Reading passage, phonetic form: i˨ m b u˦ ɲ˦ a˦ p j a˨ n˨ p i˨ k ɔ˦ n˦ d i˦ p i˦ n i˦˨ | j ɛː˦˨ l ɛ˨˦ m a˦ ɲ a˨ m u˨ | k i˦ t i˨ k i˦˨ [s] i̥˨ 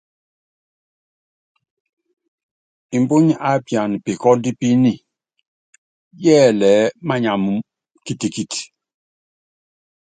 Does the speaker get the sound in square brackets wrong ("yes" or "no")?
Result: yes